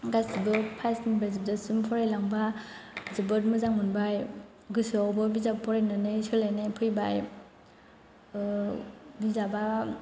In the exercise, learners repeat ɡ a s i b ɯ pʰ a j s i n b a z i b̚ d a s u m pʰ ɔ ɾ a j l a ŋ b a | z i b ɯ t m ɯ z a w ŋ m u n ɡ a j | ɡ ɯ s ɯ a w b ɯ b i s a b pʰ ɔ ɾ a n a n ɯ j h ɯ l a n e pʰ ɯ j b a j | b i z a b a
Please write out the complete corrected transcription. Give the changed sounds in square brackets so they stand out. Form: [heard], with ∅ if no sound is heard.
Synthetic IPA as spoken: ɡ a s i b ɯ pʰ a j s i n b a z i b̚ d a s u m pʰ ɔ ɾ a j l a ŋ b a | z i b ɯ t m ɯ z a [∅] ŋ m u n [b] a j | ɡ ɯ s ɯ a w b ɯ b i [z] a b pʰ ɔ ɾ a n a n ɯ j [s] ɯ l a n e pʰ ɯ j b a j | b i z a b a